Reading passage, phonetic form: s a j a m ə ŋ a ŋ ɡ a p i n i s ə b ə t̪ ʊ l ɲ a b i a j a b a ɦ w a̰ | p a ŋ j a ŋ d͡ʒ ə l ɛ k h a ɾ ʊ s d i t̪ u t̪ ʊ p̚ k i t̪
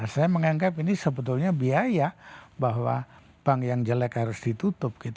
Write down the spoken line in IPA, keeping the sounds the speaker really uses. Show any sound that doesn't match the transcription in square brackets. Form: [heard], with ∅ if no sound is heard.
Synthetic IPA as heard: s a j a m ə ŋ a ŋ ɡ a p i n i s ə b ə t̪ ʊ l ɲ a b i a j a b a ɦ w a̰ | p a ŋ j a ŋ d͡ʒ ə l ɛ k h a ɾ ʊ s d i t̪ u t̪ ʊ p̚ k i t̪